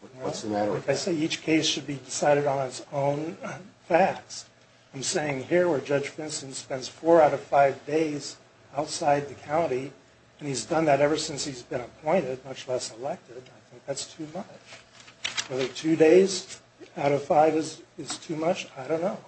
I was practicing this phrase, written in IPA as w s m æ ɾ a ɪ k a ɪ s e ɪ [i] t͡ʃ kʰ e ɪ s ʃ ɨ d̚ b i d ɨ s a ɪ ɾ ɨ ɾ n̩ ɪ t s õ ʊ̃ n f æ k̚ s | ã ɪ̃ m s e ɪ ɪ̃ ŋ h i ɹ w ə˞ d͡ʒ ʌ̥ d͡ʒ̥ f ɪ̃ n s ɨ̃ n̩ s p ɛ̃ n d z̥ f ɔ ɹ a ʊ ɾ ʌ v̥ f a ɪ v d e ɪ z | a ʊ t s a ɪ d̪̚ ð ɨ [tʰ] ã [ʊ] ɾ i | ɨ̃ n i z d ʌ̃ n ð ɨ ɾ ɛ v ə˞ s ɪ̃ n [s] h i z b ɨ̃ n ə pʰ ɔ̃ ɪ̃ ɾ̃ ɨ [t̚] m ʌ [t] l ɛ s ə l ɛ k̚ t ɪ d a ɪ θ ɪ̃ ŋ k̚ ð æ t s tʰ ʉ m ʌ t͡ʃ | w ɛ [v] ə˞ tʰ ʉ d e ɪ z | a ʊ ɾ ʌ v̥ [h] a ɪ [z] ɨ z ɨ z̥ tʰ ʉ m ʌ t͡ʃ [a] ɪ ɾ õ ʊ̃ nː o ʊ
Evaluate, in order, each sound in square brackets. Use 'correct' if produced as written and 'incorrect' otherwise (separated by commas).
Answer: correct, incorrect, incorrect, correct, incorrect, incorrect, incorrect, incorrect, incorrect, correct